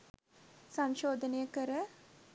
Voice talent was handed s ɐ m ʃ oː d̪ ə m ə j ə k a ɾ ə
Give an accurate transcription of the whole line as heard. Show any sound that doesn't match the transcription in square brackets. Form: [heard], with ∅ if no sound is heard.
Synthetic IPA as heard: s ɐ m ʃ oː d̪ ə [n] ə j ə k [ə] ɾ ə